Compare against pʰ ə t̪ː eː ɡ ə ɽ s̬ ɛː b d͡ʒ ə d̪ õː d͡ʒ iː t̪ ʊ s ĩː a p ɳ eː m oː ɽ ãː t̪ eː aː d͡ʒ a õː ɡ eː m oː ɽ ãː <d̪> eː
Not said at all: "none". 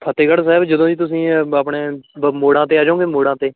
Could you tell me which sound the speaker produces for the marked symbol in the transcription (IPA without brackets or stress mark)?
t̪